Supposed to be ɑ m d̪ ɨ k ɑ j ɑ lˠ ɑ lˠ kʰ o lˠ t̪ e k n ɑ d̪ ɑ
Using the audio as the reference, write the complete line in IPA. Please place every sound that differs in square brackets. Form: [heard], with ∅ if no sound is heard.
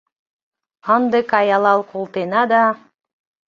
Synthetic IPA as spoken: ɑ [n] d̪ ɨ k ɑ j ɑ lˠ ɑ lˠ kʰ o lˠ t̪ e [∅] n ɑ d̪ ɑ